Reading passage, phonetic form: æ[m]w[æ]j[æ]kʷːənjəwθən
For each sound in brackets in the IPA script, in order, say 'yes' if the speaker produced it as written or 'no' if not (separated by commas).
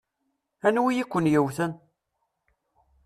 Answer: no, no, no